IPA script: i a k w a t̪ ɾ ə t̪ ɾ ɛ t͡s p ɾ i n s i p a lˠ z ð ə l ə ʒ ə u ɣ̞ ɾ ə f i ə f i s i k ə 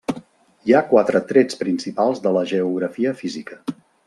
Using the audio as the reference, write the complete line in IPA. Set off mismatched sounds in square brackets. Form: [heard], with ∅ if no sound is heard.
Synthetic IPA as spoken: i a k w a t̪ ɾ ə t̪ ɾ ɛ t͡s p ɾ i n s i p a lˠ z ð ə l ə ʒ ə u ɣ̞ ɾ ə f i ə f i [z] i k ə